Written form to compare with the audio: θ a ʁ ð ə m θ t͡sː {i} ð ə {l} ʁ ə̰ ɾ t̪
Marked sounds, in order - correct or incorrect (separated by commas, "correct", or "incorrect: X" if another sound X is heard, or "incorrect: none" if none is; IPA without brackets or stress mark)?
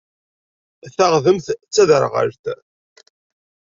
incorrect: æ, incorrect: ɾ